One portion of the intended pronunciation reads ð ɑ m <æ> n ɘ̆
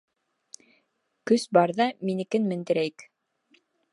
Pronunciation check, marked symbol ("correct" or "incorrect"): incorrect